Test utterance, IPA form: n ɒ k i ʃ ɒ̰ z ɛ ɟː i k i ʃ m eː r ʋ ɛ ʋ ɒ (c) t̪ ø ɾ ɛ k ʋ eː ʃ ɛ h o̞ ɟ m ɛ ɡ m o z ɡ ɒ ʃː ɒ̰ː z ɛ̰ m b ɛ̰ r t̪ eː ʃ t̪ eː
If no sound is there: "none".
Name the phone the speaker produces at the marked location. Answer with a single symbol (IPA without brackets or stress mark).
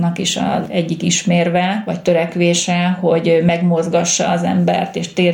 c